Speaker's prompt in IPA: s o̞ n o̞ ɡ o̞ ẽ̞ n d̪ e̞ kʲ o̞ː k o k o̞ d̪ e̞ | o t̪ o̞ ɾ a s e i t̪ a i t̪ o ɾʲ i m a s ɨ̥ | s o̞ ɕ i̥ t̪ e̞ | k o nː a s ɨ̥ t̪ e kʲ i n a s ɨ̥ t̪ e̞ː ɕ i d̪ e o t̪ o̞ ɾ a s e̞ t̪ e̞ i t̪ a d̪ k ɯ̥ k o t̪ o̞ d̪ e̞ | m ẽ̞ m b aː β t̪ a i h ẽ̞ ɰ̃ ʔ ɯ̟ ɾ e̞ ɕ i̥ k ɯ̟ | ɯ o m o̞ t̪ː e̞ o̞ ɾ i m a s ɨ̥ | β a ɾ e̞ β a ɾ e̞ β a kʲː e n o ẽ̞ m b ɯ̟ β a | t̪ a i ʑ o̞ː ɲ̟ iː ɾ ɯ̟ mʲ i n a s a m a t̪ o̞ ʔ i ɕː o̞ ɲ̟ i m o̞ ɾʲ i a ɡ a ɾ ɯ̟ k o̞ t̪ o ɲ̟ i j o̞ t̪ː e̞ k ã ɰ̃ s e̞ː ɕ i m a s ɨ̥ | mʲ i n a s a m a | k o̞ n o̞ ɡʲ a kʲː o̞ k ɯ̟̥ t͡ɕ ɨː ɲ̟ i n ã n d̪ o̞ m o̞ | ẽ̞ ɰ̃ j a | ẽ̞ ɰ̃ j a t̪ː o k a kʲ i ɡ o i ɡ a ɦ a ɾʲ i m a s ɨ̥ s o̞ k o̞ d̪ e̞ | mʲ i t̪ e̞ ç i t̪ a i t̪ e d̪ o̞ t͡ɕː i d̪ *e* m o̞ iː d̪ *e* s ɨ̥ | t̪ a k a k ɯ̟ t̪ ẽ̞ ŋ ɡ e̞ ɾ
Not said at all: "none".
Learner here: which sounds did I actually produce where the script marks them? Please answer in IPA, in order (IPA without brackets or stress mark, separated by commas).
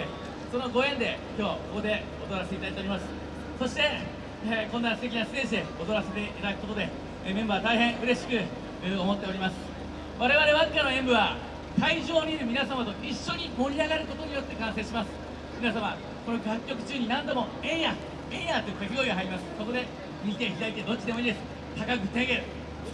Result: e, e